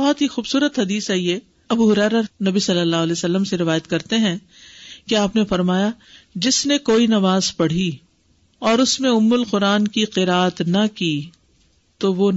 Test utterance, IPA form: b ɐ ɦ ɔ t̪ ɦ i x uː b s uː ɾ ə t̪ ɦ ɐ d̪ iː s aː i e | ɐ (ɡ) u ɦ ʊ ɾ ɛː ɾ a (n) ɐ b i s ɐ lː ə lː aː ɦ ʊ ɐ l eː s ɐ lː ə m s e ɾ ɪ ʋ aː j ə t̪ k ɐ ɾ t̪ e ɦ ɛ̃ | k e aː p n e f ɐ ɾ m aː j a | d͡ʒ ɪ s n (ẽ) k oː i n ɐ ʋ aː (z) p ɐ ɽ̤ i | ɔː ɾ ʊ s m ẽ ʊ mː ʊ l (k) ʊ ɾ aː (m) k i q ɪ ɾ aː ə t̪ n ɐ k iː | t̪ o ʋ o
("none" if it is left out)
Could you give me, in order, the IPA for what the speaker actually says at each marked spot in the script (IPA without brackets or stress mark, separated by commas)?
b, n, e, z, q, n